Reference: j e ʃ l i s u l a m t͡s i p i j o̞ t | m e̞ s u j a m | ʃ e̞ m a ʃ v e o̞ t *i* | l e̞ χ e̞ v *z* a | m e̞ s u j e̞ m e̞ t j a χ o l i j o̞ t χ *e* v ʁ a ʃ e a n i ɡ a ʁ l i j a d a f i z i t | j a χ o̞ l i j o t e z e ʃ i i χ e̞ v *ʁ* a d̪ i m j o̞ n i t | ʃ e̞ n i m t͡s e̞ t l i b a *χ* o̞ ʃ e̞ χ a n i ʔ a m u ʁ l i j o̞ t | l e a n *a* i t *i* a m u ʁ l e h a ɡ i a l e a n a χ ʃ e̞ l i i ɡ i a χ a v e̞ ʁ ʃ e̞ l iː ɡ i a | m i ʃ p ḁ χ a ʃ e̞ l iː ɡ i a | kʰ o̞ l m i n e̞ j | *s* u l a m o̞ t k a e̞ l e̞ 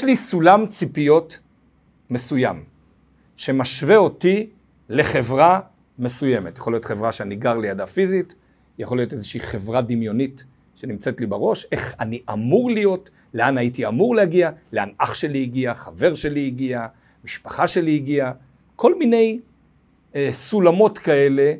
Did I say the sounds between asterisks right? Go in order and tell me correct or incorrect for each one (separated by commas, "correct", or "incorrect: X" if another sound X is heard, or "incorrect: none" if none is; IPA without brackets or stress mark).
correct, incorrect: ʁ, correct, correct, incorrect: ʁ, correct, correct, correct